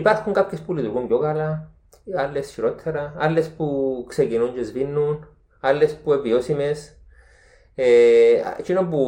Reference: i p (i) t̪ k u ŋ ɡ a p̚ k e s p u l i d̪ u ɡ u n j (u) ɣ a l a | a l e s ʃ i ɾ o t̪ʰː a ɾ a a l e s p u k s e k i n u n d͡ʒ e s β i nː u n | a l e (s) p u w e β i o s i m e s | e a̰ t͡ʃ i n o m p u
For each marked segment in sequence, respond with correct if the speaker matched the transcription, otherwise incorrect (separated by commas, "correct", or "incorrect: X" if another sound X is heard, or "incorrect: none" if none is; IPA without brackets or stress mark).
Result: incorrect: a, incorrect: o, correct